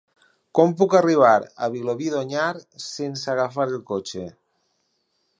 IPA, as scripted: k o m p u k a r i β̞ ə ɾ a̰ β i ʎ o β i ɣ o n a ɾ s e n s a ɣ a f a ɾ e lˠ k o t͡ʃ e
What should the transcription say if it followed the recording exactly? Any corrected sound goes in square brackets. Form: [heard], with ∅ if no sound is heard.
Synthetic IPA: k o m p u k a r i β̞ [a] ɾ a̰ β i [l] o β i [ð] o [ɲ] a ɾ s e n s a ɣ a f a ɾ e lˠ k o t͡ʃ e